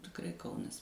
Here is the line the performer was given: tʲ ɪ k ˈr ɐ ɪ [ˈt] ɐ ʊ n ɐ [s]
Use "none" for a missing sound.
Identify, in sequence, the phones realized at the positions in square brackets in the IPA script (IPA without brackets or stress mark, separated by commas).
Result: k, s